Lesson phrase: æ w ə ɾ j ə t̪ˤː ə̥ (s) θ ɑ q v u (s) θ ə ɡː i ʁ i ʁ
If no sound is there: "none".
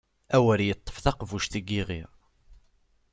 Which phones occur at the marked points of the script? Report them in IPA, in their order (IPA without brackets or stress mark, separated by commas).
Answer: f, ʃ